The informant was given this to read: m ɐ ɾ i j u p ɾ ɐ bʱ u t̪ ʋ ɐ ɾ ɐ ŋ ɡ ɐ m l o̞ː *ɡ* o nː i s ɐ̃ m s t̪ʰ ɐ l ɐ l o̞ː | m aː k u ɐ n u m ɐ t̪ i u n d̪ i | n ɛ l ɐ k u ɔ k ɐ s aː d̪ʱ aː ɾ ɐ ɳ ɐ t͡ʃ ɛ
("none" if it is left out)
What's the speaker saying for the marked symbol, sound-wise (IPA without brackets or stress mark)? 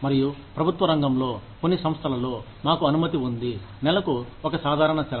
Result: k